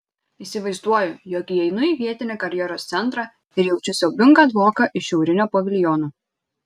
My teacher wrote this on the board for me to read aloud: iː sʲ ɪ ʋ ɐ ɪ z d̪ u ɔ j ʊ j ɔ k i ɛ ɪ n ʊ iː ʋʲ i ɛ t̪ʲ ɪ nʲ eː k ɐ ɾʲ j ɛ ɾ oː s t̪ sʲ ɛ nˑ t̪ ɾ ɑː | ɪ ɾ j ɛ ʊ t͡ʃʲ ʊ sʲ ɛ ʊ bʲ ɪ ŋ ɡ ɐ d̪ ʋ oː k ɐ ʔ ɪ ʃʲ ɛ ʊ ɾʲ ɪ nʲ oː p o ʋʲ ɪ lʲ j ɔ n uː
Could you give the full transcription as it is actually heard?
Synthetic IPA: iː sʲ ɪ ʋ ɐ ɪ z d̪ u ɔ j ʊ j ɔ k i ɛ ɪ n ʊ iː ʋʲ i ɛ t̪ʲ ɪ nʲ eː k ɐ ɾʲ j ɛ ɾ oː s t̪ sʲ ɛ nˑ t̪ ɾ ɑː | ɪ ɾ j ɛ ʊ t͡ʃʲ ʊ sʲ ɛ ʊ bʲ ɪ ŋ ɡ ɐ d̪ ʋ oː k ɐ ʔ ɪ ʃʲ ɛ ʊ ɾʲ ɪ nʲ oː p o ʋʲ ɪ lʲ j ɔ n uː

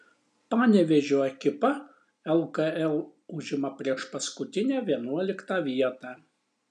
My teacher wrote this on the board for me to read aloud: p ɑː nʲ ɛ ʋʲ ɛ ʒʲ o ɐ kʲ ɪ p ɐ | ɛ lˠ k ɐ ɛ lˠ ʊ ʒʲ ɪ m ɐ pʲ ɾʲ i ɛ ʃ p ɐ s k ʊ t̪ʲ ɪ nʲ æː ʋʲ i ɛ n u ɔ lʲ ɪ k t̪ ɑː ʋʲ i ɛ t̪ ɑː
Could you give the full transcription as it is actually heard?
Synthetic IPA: p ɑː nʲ ɛ ʋʲ ɛ ʒʲ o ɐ kʲ ɪ p ɐ | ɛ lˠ k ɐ ɛ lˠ ʊ ʒʲ ɪ m ɐ pʲ ɾʲ i ɛ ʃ p ɐ s k ʊ t̪ʲ ɪ nʲ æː ʋʲ i ɛ n u ɔ lʲ ɪ k t̪ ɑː ʋʲ i ɛ t̪ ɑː

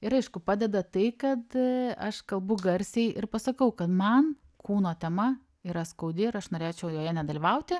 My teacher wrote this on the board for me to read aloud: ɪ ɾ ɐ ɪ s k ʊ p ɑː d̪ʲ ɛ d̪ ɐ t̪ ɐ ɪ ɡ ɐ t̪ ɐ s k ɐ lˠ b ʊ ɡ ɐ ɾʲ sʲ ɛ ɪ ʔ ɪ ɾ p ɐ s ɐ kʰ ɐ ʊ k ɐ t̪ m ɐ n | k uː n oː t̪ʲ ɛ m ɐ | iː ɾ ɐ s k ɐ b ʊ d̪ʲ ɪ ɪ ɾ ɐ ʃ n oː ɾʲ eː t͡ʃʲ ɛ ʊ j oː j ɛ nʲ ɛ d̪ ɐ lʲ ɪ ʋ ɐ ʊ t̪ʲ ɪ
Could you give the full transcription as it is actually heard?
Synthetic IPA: ɪ ɾ ɐ ɪ ʃ k ʊ p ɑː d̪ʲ ɛ d̪ ɐ t̪ ɐ ɪ k ɐ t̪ ɐ ʃ k ɐ lˠ b ʊ ɡ ɐ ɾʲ sʲ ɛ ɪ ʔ ɪ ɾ p ɐ s ɐ k ɐ ʊ k ɐ t̪ m ɐ n | k uː n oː t̪ʲ ɛ m ɐ | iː ɾ ɐ s k ɐ ʊ d̪ʲ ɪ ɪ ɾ ɐ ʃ n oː ɾʲ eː t͡ʃʲ ɛ ʊ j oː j ɛ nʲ ɛ d̪ ɐ lʲ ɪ ʋ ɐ ʊ t̪ʲ ɪ

